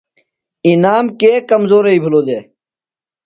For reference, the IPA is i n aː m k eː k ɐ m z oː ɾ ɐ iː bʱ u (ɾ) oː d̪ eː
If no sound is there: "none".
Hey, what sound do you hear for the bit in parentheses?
l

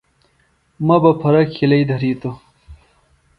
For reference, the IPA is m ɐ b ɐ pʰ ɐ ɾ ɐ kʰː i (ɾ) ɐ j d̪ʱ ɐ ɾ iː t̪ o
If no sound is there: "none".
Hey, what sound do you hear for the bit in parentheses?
l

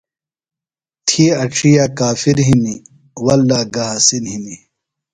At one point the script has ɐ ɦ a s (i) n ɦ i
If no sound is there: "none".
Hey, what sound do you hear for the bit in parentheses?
i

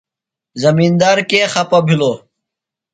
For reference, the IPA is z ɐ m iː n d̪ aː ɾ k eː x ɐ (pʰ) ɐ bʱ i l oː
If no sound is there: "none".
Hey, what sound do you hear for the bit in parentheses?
p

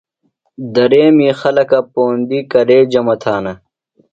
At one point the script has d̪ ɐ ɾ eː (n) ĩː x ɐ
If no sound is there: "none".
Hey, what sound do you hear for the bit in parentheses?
m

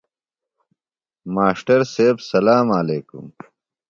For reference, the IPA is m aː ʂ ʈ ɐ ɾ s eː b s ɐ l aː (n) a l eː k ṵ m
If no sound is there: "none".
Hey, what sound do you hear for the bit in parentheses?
m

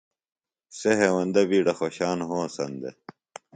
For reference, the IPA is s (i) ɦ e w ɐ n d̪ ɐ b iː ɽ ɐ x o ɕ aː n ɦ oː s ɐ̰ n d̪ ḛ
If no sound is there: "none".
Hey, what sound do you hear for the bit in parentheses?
e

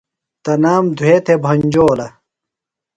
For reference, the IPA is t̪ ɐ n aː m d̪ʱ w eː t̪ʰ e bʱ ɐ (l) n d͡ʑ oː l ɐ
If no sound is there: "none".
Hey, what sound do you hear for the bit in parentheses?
none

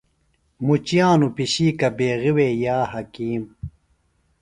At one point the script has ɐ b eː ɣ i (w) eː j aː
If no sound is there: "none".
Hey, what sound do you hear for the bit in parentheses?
w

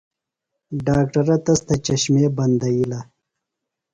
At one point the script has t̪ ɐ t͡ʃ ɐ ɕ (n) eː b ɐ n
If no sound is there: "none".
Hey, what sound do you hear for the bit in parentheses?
m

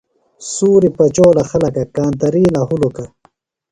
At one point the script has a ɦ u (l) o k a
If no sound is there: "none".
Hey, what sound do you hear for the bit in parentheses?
l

